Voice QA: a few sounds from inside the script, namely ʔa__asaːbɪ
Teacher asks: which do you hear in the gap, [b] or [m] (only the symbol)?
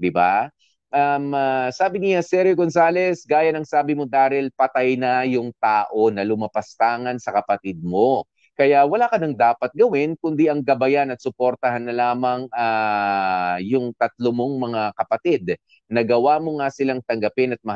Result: m